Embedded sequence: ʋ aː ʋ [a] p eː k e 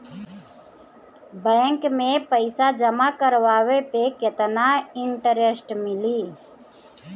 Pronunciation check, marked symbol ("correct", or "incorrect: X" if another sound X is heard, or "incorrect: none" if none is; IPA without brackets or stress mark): incorrect: e